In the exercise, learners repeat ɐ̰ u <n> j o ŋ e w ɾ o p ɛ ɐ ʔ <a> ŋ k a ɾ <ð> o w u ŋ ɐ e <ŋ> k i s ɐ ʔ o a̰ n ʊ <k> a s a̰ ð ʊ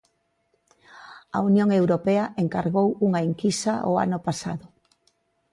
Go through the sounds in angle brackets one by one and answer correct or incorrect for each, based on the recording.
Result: correct, incorrect, incorrect, correct, incorrect

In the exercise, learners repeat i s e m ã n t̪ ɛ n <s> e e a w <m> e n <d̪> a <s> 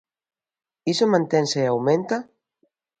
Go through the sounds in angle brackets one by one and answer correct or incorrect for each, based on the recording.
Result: correct, correct, incorrect, incorrect

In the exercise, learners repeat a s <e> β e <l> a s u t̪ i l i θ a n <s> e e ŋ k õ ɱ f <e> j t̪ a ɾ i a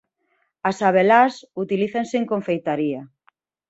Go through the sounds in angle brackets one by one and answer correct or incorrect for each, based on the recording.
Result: incorrect, correct, correct, correct

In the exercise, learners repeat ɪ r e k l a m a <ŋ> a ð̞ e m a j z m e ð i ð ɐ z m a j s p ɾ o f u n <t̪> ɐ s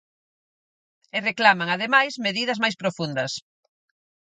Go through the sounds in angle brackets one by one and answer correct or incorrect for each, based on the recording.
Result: correct, incorrect

